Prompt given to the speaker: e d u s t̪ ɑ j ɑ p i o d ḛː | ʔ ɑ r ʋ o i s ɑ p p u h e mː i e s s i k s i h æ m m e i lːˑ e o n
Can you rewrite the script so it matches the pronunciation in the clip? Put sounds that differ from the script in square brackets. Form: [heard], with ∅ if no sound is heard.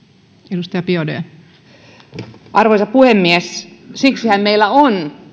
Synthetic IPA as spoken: e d u s t̪ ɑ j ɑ p i o d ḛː | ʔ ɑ r ʋ o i s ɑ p p u h e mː i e s s i k s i h æ m m e i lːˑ [æ] o n